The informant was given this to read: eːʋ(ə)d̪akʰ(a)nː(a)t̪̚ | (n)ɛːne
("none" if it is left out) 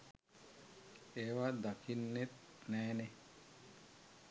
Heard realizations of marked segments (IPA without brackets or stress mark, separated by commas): a, i, e, n